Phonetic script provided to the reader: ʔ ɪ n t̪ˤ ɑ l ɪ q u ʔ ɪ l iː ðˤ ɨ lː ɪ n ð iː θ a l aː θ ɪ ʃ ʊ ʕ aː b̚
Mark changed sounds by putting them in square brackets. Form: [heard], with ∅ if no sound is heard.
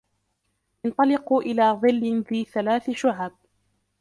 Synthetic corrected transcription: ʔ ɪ n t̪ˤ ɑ l ɪ q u ʔ ɪ l [aː] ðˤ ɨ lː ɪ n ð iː θ a l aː θ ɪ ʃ ʊ ʕ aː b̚

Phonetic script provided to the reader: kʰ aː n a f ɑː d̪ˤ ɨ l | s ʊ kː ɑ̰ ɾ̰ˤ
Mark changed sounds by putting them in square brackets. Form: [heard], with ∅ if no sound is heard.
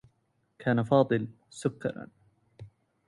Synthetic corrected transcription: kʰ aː n a f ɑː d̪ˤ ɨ l | s ʊ kː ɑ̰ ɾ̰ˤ

